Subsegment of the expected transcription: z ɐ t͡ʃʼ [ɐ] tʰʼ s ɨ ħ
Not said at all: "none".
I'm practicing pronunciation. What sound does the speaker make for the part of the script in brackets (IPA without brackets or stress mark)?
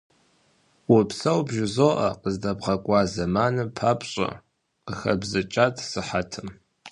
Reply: a